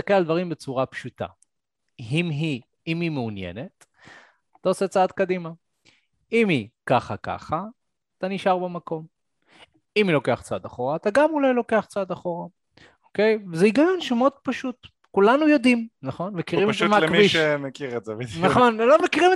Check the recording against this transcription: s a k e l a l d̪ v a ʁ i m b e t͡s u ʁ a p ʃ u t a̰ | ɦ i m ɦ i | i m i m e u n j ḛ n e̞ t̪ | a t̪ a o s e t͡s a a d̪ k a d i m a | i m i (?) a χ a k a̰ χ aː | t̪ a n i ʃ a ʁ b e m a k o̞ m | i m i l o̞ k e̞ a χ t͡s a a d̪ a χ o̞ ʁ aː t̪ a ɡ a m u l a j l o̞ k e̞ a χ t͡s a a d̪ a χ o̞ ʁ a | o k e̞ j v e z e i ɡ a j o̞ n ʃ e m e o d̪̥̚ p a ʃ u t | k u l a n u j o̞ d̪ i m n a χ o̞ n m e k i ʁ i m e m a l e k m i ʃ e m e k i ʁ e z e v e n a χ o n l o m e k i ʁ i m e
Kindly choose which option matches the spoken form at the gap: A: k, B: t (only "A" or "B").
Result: A